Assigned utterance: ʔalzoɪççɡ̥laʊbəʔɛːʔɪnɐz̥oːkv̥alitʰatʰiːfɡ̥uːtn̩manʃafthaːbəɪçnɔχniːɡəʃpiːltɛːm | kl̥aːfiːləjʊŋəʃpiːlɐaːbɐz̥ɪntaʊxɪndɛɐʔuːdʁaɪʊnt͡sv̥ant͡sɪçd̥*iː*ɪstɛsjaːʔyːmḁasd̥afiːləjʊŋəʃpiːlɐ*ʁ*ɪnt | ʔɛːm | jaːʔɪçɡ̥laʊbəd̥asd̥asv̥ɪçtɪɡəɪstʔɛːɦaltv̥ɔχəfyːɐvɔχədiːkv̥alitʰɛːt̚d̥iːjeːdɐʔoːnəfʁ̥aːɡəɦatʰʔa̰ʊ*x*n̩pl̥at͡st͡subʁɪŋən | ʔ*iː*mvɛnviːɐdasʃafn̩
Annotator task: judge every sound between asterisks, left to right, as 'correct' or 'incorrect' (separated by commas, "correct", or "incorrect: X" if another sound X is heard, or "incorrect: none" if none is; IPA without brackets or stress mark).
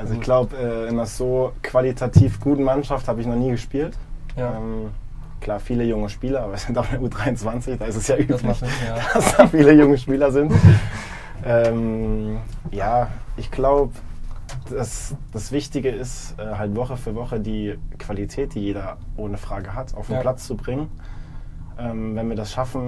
incorrect: aː, incorrect: z, incorrect: f, incorrect: ɛː